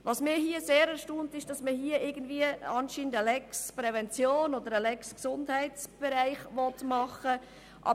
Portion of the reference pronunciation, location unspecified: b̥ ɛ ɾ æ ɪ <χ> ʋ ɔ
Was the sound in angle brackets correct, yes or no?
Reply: yes